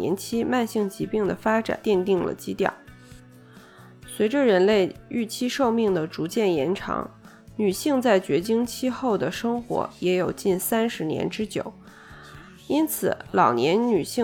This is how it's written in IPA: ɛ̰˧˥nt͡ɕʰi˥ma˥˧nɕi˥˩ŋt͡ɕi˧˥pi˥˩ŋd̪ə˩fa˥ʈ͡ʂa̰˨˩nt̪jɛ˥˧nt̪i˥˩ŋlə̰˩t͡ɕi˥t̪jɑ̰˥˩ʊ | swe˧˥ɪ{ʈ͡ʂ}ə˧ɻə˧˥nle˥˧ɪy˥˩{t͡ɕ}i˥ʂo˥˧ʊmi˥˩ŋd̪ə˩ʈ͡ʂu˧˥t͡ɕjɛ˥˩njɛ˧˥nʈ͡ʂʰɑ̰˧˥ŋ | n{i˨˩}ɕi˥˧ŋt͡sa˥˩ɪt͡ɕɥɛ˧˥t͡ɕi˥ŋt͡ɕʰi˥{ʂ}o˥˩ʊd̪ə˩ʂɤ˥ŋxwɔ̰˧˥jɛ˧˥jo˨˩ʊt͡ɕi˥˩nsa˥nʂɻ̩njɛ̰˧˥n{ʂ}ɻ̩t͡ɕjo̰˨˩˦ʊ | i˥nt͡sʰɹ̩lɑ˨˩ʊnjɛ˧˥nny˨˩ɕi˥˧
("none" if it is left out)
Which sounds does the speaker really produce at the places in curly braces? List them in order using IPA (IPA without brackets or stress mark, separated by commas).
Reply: ʈ͡ʂ, t͡ɕʰ, y˨˩, x, ʈ͡ʂ